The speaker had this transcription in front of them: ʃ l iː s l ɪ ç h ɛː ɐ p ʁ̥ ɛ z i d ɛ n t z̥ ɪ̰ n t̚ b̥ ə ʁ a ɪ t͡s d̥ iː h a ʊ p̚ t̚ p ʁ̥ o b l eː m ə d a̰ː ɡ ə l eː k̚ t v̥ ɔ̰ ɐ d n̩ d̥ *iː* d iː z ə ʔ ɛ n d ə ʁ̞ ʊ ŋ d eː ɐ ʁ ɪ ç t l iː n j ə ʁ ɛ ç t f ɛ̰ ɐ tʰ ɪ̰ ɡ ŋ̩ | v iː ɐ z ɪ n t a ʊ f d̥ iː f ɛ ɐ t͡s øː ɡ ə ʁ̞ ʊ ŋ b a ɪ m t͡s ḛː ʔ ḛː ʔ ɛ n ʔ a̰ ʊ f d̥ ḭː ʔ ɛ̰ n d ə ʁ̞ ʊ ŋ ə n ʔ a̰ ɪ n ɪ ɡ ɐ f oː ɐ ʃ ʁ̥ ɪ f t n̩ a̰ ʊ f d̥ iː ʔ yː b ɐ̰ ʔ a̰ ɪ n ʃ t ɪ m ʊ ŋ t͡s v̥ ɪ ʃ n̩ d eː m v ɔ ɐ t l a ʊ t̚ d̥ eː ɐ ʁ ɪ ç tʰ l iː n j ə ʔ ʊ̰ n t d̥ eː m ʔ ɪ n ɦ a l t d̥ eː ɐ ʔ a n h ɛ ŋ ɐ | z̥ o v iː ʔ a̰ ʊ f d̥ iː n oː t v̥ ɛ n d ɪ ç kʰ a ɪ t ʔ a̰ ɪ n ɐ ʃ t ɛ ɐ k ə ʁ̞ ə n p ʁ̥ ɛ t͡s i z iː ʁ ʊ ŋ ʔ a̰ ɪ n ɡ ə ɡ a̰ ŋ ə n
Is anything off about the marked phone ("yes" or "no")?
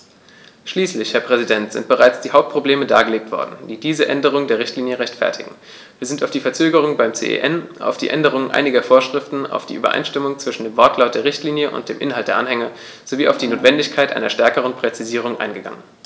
no